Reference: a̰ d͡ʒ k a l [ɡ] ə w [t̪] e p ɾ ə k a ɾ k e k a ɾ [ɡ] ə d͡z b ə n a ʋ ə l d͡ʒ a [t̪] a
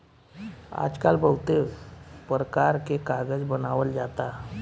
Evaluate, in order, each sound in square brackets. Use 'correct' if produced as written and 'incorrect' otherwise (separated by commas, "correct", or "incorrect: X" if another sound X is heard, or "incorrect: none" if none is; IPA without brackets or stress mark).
incorrect: b, correct, correct, correct